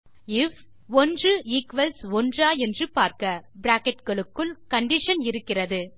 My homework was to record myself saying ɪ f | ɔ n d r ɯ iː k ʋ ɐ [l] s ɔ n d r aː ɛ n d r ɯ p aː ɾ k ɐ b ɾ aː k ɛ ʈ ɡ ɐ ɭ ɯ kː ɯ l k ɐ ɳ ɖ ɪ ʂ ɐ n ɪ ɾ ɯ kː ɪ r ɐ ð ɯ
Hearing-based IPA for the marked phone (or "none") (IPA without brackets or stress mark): l